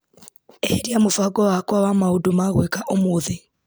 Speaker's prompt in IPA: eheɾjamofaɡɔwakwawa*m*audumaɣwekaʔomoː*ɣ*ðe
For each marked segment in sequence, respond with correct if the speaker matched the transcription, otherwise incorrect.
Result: correct, incorrect

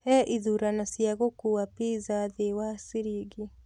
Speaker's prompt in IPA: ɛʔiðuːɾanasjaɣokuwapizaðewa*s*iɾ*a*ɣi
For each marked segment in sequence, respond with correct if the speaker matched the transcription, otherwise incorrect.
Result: correct, incorrect

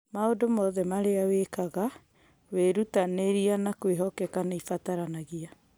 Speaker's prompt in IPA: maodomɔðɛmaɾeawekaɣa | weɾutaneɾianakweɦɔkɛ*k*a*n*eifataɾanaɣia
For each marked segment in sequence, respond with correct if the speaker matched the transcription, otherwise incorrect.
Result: correct, correct

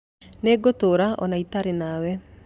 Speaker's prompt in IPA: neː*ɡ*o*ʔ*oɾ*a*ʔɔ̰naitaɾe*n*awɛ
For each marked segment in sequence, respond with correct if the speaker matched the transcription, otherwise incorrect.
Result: correct, incorrect, correct, correct

